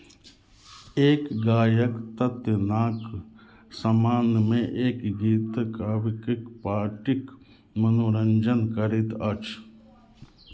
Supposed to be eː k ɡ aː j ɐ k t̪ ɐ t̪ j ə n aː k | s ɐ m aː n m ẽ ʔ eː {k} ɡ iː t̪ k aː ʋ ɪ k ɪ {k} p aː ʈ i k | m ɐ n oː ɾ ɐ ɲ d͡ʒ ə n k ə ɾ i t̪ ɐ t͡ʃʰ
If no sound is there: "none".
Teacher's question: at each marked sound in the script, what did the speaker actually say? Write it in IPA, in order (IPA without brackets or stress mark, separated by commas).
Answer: k, k